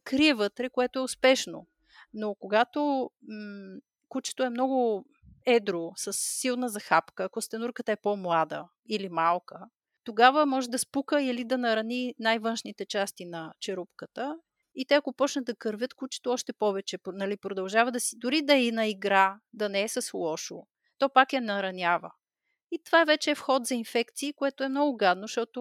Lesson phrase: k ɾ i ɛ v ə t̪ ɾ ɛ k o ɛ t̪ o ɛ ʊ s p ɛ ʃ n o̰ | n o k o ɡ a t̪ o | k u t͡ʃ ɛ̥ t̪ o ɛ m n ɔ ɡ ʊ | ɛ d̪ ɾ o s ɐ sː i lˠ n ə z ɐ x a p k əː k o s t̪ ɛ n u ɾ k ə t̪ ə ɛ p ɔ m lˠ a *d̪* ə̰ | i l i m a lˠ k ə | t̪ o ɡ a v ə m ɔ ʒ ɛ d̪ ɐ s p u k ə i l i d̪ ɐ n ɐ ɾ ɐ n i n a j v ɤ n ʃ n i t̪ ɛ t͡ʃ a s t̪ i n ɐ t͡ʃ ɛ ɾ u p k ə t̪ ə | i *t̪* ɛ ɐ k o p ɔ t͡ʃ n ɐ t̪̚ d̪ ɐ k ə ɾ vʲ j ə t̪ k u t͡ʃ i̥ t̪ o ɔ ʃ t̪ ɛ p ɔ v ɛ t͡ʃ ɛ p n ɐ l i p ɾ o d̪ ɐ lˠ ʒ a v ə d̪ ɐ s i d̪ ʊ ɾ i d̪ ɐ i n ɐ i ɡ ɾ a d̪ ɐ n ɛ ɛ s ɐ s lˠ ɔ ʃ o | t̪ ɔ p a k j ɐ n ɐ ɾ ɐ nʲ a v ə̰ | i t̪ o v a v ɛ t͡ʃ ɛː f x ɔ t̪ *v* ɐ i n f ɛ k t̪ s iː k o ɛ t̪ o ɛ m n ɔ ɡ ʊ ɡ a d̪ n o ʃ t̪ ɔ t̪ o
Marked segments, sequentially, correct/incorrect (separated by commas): correct, correct, incorrect